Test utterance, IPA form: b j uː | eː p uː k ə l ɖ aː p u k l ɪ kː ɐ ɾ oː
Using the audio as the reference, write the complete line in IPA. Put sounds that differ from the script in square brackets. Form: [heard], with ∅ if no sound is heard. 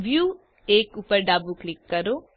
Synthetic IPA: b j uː | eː [k] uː [p] ə [ɾ] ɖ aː [b] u k l ɪ kː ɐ ɾ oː